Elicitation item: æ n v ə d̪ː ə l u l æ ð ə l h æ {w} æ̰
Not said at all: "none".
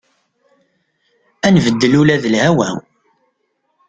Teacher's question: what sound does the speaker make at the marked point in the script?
w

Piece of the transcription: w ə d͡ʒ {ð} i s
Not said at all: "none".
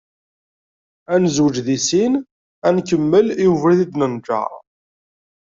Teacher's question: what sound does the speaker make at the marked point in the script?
ð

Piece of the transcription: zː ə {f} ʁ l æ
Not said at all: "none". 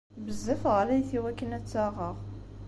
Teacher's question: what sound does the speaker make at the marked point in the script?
f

